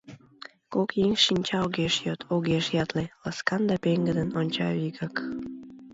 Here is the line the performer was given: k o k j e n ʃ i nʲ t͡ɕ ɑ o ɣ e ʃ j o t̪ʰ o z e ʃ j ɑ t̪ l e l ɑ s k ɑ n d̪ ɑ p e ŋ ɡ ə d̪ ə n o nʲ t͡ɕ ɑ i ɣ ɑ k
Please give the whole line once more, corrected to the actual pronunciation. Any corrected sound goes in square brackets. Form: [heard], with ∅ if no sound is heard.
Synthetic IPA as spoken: k o k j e [ŋ] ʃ i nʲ t͡ɕ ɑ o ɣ e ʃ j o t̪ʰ o [ɣ] e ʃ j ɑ t̪ l e l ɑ s k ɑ n d̪ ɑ p e ŋ ɡ ə d̪ ə n o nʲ t͡ɕ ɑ i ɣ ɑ k